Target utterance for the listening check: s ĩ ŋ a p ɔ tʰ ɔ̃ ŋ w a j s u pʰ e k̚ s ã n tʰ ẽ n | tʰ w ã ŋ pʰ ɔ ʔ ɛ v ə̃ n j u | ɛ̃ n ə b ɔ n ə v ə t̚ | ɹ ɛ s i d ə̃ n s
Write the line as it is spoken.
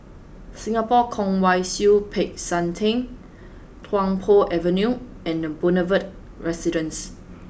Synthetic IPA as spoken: s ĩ ŋ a p ɔ kʰ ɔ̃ ŋ w a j s u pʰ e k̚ s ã n tʰ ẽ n | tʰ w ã ŋ pʰ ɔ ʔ ɛ v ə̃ n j u | ɛ̃ n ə b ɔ n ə v ə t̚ | ɹ ɛ s i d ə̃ n s

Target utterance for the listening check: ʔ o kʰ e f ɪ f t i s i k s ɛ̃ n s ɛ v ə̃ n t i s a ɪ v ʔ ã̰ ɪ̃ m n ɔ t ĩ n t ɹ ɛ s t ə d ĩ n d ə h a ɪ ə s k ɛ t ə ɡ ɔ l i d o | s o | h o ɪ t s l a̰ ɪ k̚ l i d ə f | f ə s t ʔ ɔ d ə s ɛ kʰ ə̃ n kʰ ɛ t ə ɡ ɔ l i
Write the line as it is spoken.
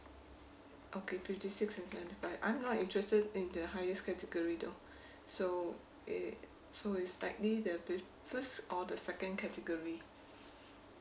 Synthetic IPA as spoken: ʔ o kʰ e f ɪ f t i s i k s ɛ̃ n s ɛ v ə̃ n t i f a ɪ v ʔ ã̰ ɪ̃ m n ɔ t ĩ n t ɹ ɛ s t ə d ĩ n d ə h a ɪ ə s k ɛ t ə ɡ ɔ ɹ i d o | s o | s o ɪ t s l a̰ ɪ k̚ l i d ə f | f ə s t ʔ ɔ d ə s ɛ k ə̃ n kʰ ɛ t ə ɡ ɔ ɹ i

